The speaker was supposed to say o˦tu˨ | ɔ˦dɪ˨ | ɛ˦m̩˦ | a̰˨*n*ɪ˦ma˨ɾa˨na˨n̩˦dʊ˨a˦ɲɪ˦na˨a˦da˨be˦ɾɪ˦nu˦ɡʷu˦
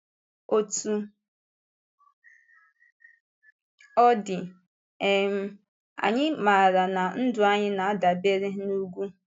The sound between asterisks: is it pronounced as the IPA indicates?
no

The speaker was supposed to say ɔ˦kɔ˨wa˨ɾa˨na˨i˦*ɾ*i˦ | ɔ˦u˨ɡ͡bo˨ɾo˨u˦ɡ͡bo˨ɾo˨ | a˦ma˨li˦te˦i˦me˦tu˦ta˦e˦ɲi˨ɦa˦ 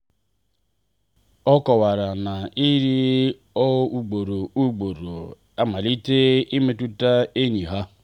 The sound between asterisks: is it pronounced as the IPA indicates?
yes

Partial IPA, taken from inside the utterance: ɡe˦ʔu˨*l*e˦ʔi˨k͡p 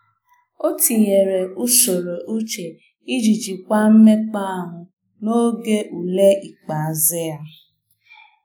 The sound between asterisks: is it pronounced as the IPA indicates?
yes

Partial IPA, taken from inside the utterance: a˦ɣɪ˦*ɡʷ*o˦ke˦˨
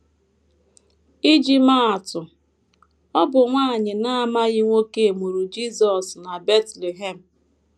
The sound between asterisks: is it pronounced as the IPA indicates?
no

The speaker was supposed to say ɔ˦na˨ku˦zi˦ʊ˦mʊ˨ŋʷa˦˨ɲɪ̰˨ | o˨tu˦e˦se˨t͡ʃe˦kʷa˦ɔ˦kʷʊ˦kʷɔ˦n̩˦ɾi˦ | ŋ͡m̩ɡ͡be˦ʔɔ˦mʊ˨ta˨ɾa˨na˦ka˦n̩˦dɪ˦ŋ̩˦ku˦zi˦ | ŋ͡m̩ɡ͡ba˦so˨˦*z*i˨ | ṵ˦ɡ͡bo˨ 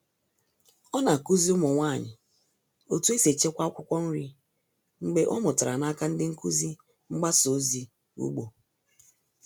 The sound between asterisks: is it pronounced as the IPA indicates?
yes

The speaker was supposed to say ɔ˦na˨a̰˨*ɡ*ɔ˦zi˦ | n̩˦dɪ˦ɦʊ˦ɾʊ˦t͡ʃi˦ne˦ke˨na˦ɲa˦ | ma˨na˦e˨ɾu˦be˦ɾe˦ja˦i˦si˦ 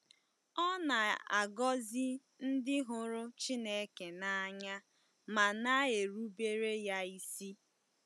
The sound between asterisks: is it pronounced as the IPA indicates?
yes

